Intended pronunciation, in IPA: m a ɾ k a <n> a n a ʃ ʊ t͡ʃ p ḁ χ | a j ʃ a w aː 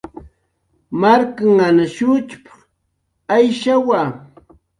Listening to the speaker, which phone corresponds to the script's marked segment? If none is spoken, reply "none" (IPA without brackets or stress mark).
ŋ